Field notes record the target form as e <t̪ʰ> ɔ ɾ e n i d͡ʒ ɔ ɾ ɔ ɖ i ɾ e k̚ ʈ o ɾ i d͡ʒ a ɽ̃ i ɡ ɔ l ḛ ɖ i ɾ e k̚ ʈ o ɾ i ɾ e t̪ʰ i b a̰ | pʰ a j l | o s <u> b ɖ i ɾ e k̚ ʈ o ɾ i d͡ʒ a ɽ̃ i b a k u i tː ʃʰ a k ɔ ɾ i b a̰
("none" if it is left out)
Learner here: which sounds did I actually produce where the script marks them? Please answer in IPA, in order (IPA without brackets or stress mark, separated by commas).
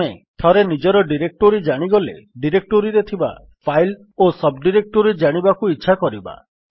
t̪ʰ, ɔ